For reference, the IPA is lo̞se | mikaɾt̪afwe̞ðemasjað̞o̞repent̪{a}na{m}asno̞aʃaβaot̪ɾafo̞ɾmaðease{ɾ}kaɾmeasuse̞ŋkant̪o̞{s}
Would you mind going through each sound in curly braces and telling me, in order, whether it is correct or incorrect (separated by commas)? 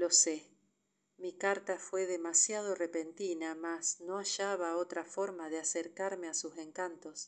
incorrect, correct, correct, correct